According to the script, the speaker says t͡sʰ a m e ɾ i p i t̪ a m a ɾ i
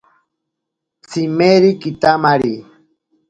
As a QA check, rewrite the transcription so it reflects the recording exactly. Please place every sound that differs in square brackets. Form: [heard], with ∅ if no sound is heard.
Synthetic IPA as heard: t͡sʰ [i] m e ɾ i [k] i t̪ a m a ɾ i

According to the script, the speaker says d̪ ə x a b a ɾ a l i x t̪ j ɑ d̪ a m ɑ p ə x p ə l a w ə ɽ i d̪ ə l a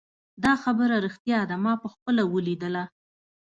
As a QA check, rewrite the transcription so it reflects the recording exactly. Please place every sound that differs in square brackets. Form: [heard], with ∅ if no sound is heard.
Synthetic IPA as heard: d̪ [ɑ] x a b [ə] ɾ a [ɾ] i x t̪ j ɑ d̪ a m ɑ p ə x p ə l a w ə [l] i d̪ ə l a

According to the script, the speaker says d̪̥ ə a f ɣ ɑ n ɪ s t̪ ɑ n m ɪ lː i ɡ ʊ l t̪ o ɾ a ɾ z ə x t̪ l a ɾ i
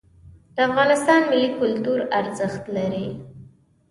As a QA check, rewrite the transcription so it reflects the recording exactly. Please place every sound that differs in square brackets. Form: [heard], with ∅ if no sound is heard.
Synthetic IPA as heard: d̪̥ ə a f ɣ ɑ n ɪ s t̪ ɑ n m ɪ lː i [k] ʊ l t̪ [u] ɾ a ɾ z ə x t̪ l a ɾ i

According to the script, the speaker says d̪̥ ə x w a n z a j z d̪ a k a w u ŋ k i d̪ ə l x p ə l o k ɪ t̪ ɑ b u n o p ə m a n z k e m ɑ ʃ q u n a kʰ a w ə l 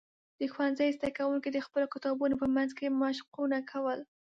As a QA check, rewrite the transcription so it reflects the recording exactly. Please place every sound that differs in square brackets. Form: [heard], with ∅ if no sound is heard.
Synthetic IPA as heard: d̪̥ ə x w a n z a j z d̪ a k a w u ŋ k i d̪ ə [∅] x p ə l o k ɪ t̪ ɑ b u n o p ə m a n z k e m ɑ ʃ q u n a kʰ a w ə l

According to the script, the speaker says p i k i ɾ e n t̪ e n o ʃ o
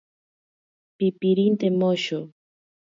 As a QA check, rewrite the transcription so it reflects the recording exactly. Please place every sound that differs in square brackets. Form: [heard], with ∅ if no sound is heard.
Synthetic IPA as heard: p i [p] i ɾ [i] n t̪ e [m] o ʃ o

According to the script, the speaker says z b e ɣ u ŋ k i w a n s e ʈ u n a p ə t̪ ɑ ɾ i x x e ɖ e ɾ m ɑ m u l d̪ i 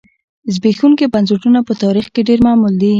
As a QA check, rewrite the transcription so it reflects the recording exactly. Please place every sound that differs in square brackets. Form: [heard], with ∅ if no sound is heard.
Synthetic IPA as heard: z b e [x] u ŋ k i [b] a n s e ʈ u n a p ə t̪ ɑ ɾ i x [k] e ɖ e ɾ m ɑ m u l d̪ i

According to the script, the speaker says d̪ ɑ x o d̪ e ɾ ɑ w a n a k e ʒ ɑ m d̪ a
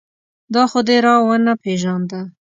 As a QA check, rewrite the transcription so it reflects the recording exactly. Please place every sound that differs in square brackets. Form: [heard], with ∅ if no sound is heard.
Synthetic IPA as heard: d̪ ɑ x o d̪ e ɾ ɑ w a n a [p] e ʒ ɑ [n] d̪ a

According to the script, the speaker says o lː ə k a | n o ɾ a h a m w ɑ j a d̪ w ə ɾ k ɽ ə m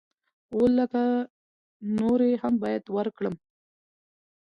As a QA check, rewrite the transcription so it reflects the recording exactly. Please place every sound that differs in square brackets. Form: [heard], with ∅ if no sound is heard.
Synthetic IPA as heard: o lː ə k a | n o ɾ [e] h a m [b] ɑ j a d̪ w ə ɾ k ɽ ə m

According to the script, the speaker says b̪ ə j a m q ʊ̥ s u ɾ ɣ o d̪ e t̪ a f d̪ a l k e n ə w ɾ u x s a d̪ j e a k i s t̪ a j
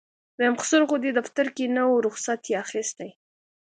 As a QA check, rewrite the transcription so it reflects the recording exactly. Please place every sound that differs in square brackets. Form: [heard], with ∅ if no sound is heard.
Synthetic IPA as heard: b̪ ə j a m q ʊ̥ s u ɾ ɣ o d̪ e [d̪] a f [t̪] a [ɾ] k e n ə w ɾ [ʊ] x s a [t̪] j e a [x] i s t̪ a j

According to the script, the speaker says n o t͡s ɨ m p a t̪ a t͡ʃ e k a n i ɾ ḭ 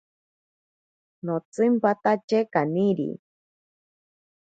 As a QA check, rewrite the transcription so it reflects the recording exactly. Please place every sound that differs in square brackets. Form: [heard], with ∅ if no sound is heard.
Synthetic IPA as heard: n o t͡s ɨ m p a t̪ a t͡ʃ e k a n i ɾ ḭ

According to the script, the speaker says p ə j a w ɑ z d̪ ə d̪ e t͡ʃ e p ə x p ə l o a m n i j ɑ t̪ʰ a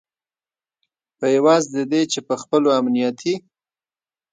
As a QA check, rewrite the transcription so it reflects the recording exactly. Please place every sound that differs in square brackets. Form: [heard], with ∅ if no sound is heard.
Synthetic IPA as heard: p ə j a w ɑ z d̪ ə d̪ e t͡ʃ e p ə x p ə l o a m n i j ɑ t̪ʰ [i]

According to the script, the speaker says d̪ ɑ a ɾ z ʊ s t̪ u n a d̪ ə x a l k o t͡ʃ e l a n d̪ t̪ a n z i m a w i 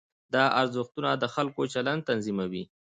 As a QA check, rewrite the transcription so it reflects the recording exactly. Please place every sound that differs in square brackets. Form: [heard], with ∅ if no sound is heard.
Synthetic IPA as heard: d̪ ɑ a ɾ z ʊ [x] t̪ u n a d̪ ə x a l k o t͡ʃ [a] l a n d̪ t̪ a n z i m a w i

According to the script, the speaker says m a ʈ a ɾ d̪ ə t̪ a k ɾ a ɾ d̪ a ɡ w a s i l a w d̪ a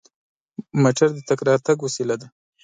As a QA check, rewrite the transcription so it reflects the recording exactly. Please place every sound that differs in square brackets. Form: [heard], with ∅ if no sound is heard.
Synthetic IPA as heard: m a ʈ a ɾ d̪ ə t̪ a k ɾ [ɑ] ɾ [t̪] a ɡ w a s i l a [∅] d̪ a

